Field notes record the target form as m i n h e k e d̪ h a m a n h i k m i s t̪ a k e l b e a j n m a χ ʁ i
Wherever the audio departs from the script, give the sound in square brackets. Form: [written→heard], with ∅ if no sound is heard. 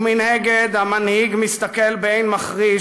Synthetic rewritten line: m i n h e [k→ɡ] e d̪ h a m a n h i [k→ɡ] m i s t̪ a k e l b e [a→e] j n m a χ ʁ i